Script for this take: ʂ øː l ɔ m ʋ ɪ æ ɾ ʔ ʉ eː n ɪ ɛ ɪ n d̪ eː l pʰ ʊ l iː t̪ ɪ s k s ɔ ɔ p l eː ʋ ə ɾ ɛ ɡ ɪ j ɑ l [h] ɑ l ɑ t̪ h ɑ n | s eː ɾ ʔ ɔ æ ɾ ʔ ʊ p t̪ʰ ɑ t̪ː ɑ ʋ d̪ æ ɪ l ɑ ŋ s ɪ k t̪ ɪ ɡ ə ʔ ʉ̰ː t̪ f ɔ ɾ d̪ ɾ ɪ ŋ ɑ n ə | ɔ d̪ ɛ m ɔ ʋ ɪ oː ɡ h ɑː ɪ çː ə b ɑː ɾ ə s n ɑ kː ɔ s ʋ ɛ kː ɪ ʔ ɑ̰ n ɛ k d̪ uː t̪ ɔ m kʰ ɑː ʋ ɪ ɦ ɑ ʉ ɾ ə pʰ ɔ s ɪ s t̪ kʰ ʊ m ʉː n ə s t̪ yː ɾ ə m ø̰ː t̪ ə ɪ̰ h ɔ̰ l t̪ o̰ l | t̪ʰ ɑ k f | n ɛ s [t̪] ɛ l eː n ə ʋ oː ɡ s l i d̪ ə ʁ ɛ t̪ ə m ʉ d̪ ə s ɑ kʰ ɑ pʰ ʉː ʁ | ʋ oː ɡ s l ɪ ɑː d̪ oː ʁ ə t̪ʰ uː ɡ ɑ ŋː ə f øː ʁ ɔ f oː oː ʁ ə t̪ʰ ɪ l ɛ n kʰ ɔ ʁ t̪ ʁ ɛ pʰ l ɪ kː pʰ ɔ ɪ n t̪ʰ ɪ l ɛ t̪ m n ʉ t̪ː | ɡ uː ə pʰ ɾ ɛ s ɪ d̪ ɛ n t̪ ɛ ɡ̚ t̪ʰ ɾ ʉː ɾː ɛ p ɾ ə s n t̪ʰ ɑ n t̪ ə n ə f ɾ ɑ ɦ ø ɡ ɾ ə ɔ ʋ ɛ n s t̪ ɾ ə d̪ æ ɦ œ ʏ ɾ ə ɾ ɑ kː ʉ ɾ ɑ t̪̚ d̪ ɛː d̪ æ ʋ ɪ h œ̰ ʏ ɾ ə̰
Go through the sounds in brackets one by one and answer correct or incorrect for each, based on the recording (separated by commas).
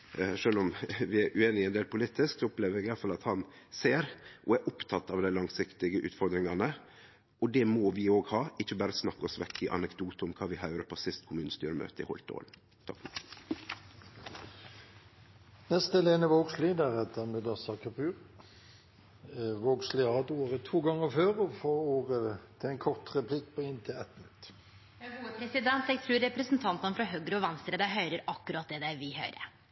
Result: incorrect, correct